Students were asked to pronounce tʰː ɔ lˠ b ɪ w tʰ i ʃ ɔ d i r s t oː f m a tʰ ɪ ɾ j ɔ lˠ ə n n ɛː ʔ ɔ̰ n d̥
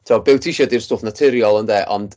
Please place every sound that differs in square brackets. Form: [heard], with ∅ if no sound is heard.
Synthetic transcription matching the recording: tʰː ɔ [∅] b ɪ w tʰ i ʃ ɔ d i r s t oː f [n] a tʰ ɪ ɾ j ɔ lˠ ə n [d] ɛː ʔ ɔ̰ n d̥

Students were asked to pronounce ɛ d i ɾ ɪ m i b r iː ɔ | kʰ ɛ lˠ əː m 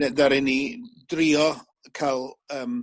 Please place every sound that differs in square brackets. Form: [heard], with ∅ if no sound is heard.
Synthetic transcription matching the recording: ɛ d [a] ɾ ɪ [n] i [d] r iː ɔ | kʰ [a] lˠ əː m

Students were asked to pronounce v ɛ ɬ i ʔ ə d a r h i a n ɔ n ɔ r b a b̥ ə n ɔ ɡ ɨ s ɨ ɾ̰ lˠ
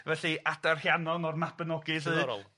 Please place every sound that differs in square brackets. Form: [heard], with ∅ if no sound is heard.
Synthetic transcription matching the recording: v ɛ ɬ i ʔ [a] d a r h [j] a n ɔ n ɔ r [m] a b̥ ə n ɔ ɡ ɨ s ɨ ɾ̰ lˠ

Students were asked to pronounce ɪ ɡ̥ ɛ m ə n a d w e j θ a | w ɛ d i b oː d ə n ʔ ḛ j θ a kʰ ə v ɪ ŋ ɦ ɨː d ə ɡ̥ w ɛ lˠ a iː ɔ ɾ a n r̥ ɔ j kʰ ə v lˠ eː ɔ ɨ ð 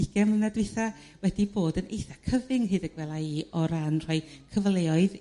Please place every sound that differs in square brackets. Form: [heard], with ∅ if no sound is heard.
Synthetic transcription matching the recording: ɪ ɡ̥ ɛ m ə n a d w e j θ a | w ɛ d i b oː d ə n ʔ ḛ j θ a kʰ ə v ɪ ŋ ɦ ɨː d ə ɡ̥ w ɛ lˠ a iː ɔ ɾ a n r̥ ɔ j kʰ ə v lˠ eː ɔ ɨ ð

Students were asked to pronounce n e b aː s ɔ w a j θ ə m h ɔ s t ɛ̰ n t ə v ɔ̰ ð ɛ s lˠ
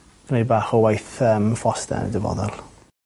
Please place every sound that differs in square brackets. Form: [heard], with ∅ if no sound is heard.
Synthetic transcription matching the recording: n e b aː [χ] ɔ w a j θ ə m [f] ɔ s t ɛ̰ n [d] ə v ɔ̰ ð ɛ [∅] lˠ

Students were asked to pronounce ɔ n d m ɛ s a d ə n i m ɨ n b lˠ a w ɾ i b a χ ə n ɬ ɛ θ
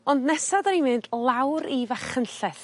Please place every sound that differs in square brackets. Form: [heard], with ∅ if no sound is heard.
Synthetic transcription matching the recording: ɔ n d [n] ɛ s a d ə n i m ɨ n [d] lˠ a w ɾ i [v] a χ ə n ɬ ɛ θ

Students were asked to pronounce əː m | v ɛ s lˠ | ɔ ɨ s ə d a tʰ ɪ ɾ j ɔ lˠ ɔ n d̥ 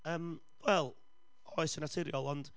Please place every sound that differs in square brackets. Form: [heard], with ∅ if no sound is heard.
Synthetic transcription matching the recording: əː m | [w] ɛ [∅] lˠ | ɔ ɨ s ə [n] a tʰ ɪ ɾ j ɔ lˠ ɔ n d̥

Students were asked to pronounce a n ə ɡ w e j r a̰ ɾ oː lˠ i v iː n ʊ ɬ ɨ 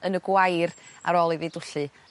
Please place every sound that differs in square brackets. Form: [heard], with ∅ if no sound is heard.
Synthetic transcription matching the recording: [ə] n ə ɡ w [a] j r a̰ ɾ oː lˠ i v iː [d] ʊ ɬ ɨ

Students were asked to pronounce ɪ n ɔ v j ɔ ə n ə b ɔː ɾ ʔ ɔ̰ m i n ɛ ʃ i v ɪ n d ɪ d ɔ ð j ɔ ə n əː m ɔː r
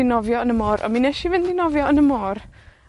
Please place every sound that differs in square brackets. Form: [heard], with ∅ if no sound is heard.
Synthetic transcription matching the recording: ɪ n ɔ v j ɔ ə n ə [m] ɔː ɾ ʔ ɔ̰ m i n ɛ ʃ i v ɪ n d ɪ [n] ɔ [v] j ɔ ə n [ə] m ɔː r

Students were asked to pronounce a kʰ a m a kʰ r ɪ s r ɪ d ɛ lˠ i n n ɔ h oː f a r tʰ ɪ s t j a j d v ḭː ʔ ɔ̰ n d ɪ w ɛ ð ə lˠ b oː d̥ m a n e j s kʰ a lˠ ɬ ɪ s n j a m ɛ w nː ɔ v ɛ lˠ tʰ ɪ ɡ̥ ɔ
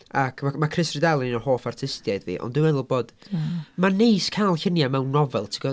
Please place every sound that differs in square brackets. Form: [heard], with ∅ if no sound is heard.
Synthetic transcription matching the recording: a kʰ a m a kʰ r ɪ s r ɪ d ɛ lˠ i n n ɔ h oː f a r tʰ ɪ s t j a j d v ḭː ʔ ɔ̰ n d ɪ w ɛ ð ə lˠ b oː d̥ m a n e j s kʰ a lˠ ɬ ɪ [∅] n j a m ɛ w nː ɔ v ɛ lˠ tʰ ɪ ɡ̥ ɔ

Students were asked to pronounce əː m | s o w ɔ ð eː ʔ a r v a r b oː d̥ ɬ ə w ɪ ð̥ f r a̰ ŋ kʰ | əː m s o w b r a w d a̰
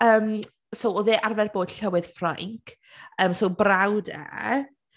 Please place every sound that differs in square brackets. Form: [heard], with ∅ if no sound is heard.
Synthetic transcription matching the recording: əː m | s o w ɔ ð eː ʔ a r v [ɛ] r b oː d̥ ɬ ə w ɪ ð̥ f r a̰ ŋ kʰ | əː m s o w b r a w d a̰

